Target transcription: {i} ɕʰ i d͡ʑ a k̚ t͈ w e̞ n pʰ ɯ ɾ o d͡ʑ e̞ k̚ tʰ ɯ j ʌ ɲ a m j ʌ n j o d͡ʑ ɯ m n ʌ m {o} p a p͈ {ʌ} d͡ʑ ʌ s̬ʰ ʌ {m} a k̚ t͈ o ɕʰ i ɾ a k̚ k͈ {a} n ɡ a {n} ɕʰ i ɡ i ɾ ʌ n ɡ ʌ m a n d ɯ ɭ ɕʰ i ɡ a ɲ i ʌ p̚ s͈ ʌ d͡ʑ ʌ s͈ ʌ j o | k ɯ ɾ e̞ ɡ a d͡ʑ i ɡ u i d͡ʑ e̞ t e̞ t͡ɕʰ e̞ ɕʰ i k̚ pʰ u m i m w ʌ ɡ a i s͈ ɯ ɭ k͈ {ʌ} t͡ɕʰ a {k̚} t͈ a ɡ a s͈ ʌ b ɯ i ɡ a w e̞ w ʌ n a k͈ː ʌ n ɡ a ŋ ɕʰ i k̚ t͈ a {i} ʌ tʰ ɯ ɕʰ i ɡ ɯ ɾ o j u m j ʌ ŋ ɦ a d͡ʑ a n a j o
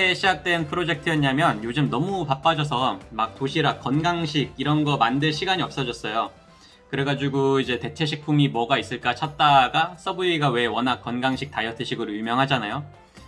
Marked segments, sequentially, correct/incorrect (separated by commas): incorrect, incorrect, incorrect, correct, incorrect, incorrect, incorrect, incorrect, incorrect